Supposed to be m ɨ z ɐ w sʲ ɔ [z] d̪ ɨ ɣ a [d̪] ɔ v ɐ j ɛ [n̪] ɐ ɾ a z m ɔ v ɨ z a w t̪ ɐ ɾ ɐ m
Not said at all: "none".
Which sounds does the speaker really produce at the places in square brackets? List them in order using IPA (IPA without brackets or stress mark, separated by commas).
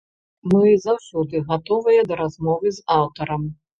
none, t̪, d̪